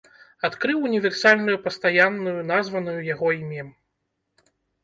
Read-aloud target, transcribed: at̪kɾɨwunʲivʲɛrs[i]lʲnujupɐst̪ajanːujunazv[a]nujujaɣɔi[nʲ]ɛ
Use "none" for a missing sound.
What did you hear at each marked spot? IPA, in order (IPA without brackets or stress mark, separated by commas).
a, ɐ, mʲ